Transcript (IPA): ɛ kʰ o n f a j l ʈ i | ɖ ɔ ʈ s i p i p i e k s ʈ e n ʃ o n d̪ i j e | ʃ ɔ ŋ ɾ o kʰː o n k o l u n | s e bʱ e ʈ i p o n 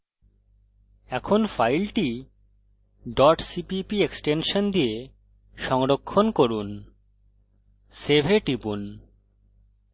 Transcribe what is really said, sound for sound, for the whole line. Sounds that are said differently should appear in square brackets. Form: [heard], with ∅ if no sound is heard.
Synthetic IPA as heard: ɛ kʰ o n f a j l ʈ i | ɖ ɔ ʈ s i p i p i e k s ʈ e n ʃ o n d̪ i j e | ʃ ɔ ŋ ɾ o kʰː o n k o [ɾ] u n | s e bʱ e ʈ i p [u] n